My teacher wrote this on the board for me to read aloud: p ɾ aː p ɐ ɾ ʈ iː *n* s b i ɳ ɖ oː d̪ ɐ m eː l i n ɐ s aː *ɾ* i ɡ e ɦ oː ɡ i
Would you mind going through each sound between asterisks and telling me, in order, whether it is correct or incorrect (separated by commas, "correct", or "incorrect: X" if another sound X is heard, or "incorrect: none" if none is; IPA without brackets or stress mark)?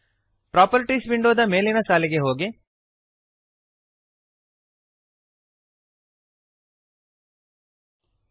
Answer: incorrect: none, incorrect: l